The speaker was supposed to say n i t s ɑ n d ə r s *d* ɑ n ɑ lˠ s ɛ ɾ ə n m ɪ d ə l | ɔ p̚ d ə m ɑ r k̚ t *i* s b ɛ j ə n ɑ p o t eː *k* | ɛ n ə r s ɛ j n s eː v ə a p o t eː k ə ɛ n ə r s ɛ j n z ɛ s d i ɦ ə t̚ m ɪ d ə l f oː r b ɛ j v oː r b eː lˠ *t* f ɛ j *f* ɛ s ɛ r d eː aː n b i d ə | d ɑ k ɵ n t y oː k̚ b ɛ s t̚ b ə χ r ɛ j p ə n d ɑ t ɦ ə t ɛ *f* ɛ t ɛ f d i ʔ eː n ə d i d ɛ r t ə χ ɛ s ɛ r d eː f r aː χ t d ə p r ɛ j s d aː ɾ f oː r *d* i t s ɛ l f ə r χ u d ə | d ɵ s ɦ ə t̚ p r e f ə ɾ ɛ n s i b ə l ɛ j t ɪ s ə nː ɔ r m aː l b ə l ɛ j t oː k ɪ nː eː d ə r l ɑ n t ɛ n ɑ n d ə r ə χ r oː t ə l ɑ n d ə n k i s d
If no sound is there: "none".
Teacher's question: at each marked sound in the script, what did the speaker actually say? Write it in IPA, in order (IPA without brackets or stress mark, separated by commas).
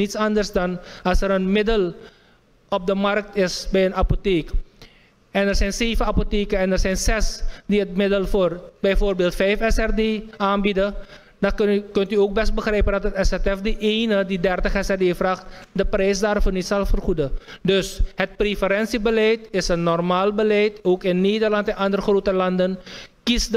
d, ɪ, k, t, f, s, n